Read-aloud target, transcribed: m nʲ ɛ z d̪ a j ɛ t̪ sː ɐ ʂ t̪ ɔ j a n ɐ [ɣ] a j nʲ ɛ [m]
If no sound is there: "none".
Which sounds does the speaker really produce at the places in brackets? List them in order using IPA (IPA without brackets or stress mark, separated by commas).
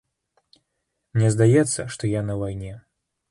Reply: v, none